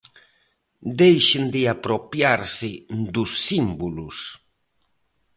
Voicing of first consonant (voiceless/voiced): voiced